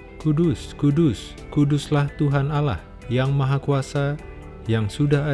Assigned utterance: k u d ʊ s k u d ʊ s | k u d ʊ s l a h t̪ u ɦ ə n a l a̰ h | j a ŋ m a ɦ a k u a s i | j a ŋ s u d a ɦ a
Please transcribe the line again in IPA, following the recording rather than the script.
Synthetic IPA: k u d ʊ s k u d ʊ s | k u d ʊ s l a h t̪ u ɦ a n a l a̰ h | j a ŋ m a ɦ a k u a s a | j a ŋ s u d a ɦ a